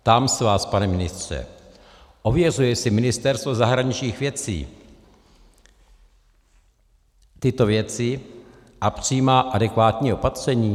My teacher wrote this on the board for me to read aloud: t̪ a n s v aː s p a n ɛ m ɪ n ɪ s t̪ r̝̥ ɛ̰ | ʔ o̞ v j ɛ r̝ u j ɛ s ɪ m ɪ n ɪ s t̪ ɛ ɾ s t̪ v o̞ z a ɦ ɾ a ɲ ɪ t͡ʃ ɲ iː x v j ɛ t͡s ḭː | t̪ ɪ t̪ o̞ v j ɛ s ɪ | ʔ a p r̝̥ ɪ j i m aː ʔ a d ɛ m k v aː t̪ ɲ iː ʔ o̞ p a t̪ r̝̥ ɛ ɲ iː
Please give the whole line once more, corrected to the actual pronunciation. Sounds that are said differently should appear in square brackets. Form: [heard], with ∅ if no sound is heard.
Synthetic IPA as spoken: t̪ a [m] s v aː s p a n ɛ m ɪ n ɪ s t̪ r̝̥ ɛ̰ | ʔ o̞ v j ɛ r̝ u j ɛ s ɪ m ɪ n ɪ s t̪ ɛ ɾ s t̪ v o̞ z a ɦ ɾ a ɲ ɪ t͡ʃ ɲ iː x v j ɛ t͡s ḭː | t̪ ɪ t̪ o̞ v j ɛ [t͡s] ɪ | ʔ a p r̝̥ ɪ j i m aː ʔ a d ɛ [∅] k v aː t̪ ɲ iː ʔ o̞ p a t̪ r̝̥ ɛ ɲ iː